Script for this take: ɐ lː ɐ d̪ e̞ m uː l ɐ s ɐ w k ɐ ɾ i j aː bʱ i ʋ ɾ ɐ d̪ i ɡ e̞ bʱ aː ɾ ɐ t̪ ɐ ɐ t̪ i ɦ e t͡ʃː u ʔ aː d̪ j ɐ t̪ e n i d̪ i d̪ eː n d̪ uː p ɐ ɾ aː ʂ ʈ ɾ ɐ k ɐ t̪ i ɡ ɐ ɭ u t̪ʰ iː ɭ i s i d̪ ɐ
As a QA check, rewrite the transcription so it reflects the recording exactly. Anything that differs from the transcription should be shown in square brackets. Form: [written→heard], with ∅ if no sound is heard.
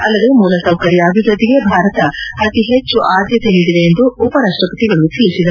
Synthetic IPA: ɐ lː ɐ d̪ e̞ m uː l ɐ s ɐ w k ɐ ɾ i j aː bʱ i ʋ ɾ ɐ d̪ i ɡ e̞ bʱ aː ɾ ɐ t̪ ɐ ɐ t̪ i ɦ e t͡ʃː u ʔ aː d̪ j ɐ t̪ e n i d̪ i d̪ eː n d̪ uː p ɐ ɾ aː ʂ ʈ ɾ ɐ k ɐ t̪ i ɡ ɐ ɭ u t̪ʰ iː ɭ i s i d̪ ɐ